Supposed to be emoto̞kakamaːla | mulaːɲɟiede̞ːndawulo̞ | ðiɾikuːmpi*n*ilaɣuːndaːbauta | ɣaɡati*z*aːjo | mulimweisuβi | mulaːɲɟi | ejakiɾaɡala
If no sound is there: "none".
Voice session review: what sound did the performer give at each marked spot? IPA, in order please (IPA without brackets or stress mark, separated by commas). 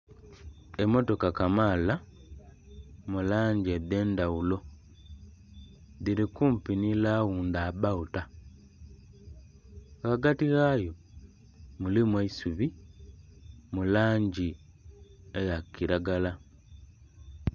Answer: n, ɣ